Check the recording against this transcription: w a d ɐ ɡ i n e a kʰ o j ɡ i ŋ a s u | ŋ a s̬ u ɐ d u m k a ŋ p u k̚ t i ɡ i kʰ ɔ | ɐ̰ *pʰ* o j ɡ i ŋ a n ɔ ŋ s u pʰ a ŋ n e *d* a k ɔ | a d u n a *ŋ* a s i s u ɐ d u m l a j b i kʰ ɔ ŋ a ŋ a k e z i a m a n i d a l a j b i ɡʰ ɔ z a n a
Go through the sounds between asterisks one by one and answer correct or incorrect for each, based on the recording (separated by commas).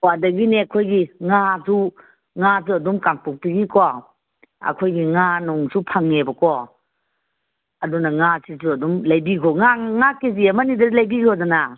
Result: incorrect, incorrect, correct